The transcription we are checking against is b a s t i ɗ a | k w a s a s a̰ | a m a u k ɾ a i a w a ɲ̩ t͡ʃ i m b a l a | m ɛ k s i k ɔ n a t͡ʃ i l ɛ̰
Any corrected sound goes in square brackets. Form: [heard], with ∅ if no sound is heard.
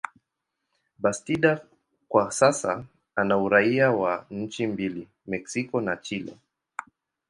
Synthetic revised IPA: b a s t i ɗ a | k w a s a s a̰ | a [n] a u [∅] ɾ a i a w a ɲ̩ t͡ʃ i m b [i] l [i] | m ɛ k s i k ɔ n a t͡ʃ i l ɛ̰

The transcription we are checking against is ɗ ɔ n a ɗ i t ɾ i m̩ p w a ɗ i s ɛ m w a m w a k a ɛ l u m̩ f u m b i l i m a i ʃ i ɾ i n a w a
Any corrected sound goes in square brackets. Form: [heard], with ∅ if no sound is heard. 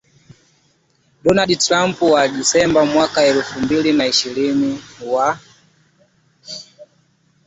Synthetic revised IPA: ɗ ɔ n a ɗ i t ɾ [a] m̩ p w a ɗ i s ɛ m [b] a m w a k a ɛ l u [∅] f u m b i l i [n] a i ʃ i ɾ i n [i] w a

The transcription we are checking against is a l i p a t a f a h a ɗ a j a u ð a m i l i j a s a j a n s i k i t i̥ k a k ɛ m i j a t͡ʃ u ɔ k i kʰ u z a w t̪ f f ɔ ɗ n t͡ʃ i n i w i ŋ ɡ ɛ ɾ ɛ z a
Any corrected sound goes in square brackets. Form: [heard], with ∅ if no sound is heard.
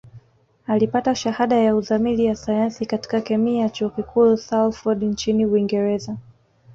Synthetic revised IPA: a l i p a t a [ʃ] a h a ɗ a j a u ð a m i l i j a s a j a n s i k [a] t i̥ k a k ɛ m i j a t͡ʃ u ɔ k i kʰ u [s] a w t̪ f f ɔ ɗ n t͡ʃ i n i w i ŋ ɡ ɛ ɾ ɛ z a

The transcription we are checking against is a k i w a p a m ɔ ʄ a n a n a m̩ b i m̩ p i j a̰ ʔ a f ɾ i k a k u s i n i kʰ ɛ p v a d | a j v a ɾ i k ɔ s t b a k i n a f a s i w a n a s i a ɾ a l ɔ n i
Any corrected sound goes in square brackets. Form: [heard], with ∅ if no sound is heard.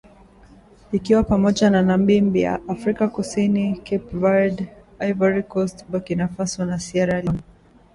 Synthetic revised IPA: [i] k i w a p a m ɔ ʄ a n a n a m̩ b i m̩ [b] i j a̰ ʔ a f ɾ i k a k u s i n i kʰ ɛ p v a d | a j v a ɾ i k ɔ s t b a k i n a f a s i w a n a s i a ɾ a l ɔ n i

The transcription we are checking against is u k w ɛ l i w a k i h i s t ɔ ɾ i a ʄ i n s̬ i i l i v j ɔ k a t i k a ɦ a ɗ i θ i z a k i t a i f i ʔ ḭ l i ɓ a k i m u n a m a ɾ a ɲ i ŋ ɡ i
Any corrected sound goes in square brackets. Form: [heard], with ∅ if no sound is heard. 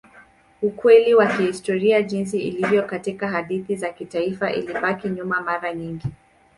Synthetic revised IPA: u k w ɛ l i w a k i h i s t ɔ ɾ i a ʄ i n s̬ i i l i v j ɔ k a t i k a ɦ a ɗ i θ i z a k i t a i f [a] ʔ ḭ l i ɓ a k i [ɲ] u [m] a m a ɾ a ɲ i ŋ ɡ i

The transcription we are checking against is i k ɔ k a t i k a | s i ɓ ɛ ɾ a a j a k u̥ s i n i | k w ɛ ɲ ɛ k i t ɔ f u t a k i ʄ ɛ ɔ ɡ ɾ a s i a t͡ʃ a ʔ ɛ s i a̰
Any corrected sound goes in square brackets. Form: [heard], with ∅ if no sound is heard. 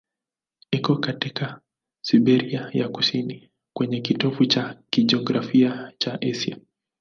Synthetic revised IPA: i k ɔ k a t i k a | s i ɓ ɛ ɾ [i] a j a k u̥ s i n i | k w ɛ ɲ ɛ k i t ɔ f u [t͡ʃ] a k i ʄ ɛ ɔ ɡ ɾ a [f] i a t͡ʃ a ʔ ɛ s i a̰

